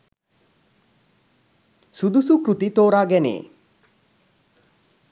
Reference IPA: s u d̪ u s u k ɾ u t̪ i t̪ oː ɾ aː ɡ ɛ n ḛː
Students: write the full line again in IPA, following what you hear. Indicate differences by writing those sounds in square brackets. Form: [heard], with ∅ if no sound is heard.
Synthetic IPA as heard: s u d̪ u s u k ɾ u t̪ i t̪ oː ɾ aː ɡ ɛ n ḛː